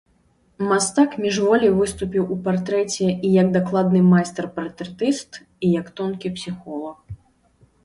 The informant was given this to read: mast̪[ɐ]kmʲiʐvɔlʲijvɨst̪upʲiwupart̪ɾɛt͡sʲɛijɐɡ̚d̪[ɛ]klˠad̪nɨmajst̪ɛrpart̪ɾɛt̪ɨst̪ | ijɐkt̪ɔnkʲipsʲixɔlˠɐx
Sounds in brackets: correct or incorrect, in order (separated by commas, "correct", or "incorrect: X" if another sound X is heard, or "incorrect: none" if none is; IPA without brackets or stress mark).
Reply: incorrect: a, incorrect: a